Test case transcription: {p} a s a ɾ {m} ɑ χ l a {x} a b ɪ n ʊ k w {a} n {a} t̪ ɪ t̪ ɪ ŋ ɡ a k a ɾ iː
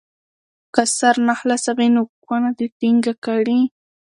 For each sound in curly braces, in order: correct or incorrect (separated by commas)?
incorrect, incorrect, incorrect, correct, correct